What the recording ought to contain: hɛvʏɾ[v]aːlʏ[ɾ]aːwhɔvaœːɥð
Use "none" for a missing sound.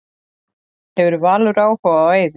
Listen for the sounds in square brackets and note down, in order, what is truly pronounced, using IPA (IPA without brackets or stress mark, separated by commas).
v, ɾ